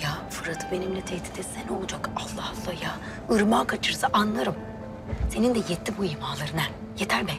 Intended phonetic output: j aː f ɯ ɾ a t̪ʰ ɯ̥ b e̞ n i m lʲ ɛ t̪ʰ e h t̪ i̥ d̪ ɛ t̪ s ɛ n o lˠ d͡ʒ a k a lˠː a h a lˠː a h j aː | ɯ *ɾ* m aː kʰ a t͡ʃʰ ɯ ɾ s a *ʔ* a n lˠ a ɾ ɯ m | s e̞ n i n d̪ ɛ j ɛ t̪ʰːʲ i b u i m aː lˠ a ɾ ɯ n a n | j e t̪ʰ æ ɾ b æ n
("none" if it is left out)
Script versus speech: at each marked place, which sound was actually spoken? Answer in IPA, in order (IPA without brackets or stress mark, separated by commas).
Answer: ɾ, ʔ